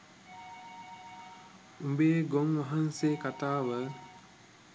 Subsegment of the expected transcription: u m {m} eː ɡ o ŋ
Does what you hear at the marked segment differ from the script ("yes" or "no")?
yes